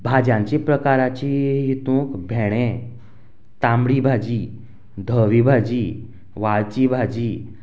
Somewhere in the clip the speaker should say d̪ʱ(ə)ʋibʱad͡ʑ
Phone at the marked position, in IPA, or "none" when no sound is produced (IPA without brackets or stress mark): ə